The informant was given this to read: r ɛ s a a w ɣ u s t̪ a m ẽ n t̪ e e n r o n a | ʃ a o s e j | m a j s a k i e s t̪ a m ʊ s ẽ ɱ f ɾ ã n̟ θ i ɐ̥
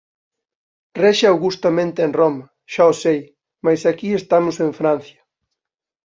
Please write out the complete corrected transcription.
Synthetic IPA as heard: r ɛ ʃ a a w ɣ u s t̪ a m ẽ n t̪ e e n r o m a | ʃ a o s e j | m a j s a k i e s t̪ a m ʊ s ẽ ɱ f ɾ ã n̟ θ j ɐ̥